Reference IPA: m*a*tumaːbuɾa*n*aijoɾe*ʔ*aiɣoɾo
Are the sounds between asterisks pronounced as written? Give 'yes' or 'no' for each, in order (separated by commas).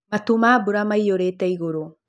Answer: yes, no, no